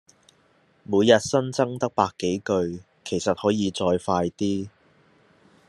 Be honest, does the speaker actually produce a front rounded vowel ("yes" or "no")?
no